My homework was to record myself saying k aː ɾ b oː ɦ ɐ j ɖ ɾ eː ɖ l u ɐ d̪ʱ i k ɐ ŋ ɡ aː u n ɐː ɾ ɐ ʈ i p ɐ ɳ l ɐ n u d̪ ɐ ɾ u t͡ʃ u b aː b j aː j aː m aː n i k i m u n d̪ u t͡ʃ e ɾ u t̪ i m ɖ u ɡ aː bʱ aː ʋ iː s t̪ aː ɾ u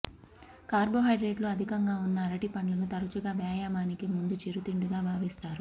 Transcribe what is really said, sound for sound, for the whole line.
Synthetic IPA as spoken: k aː ɾ b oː ɦ ɐ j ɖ ɾ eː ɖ l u ɐ d̪ʱ i k ɐ ŋ ɡ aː u nː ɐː ɾ ɐ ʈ i p ɐ ɳ l ɐ n u t̪ ɐ ɾ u t͡ʃ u ɡ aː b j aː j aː m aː n i k i m u n d̪ u t͡ʃ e ɾ u t̪ i ɳ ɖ u ɡ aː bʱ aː ʋ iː s t̪ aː ɾ u